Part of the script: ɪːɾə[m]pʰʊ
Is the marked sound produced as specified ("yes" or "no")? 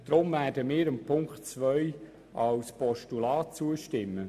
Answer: yes